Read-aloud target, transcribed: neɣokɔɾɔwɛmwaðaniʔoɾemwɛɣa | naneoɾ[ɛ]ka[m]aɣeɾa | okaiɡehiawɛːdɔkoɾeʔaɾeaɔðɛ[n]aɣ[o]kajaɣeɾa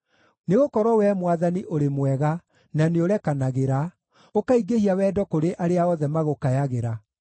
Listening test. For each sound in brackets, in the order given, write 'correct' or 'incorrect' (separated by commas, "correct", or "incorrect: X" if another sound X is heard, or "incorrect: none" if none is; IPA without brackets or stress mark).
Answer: correct, incorrect: n, incorrect: m, correct